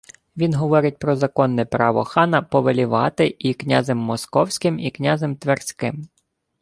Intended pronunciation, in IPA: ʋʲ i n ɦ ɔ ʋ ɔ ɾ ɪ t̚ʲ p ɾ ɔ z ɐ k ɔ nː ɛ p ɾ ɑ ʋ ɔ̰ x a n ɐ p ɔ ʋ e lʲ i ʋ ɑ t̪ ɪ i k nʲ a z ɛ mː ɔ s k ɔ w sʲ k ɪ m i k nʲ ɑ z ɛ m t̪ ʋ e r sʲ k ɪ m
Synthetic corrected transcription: ʋʲ i n ɦ ɔ ʋ ɔ ɾ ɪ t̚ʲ p ɾ ɔ z ɐ k ɔ nː ɛ p ɾ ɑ ʋ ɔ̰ x ɑ n ɐ p ɔ ʋ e lʲ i ʋ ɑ t̪ ɪ i k nʲ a z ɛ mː ɔ s k ɔ w sʲ k ɪ m i k nʲ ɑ z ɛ m t̪ ʋ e r sʲ k ɪ m